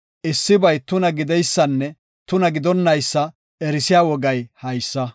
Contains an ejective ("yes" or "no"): no